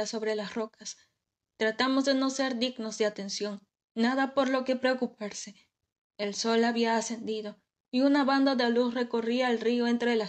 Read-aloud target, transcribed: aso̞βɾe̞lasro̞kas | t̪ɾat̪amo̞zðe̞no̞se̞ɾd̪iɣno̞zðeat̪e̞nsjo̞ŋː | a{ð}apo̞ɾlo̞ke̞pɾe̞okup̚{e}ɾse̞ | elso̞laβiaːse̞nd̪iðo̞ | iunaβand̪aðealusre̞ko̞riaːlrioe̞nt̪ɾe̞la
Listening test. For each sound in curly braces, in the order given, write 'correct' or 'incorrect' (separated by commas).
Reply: correct, incorrect